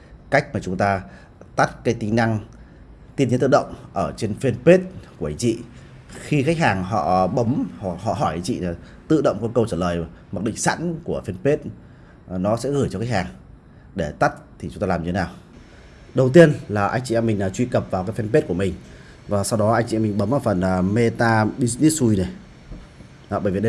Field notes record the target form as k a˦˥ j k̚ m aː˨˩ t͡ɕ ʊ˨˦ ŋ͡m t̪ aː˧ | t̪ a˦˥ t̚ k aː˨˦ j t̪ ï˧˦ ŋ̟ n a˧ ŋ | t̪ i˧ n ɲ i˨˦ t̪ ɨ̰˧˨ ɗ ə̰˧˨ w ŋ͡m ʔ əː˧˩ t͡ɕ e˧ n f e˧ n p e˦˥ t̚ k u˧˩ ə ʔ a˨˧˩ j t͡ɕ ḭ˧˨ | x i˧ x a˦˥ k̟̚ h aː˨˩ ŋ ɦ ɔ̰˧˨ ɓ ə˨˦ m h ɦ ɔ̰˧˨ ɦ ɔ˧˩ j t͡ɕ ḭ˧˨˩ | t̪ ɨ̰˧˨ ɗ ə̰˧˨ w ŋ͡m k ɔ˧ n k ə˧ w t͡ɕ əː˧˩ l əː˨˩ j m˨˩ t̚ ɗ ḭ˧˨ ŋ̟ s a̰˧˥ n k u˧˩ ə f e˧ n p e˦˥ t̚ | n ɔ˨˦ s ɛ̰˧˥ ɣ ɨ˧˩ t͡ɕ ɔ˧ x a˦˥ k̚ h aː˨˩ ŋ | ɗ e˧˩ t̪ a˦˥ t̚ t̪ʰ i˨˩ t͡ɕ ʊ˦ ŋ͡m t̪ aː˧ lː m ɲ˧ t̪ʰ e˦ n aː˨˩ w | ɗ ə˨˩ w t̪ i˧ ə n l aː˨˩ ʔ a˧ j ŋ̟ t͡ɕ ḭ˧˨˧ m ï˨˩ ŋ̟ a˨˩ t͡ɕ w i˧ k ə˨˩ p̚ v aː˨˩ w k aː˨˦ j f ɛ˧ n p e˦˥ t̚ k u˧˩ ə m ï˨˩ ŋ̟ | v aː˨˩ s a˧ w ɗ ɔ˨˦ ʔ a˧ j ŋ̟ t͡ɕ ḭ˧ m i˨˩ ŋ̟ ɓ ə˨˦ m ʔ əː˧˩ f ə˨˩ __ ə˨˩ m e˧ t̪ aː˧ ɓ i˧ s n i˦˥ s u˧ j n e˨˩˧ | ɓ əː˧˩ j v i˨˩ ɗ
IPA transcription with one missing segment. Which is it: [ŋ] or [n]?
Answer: n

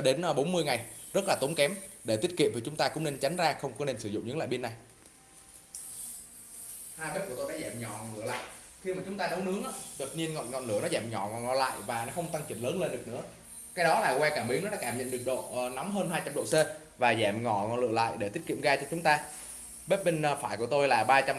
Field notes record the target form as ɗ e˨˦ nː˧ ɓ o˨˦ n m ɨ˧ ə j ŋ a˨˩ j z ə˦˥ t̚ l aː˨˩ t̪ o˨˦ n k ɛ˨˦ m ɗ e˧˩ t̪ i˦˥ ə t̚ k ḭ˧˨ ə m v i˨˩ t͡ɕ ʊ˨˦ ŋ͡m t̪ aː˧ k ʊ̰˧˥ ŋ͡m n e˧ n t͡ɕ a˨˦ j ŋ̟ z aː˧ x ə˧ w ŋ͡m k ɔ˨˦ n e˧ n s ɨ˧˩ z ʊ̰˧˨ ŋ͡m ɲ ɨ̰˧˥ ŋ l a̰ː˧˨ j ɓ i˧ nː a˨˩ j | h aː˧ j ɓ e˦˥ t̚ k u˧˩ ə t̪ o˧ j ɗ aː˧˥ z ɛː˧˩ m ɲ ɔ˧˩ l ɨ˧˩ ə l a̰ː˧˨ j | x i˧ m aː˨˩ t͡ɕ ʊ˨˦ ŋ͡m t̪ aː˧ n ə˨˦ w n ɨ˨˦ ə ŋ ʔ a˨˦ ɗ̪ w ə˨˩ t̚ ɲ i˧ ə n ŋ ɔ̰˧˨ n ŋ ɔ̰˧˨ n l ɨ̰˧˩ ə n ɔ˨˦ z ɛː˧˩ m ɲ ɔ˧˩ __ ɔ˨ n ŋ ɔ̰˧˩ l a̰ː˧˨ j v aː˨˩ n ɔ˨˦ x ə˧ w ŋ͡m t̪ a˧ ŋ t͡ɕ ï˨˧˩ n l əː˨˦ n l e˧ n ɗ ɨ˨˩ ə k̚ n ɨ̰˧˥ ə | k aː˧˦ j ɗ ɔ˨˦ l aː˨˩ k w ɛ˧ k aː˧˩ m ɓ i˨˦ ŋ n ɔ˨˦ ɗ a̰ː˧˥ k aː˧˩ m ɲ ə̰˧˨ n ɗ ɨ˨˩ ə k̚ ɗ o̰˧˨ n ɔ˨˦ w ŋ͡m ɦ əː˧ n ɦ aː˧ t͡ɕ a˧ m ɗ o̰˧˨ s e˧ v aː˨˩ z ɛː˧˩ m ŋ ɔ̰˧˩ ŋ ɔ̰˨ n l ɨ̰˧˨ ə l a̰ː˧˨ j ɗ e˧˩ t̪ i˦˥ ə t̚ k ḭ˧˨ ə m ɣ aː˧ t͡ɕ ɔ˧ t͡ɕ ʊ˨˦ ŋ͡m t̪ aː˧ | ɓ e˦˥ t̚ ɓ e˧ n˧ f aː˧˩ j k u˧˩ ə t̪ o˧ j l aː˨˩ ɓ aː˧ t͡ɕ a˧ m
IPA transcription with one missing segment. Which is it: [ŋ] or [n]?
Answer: ŋ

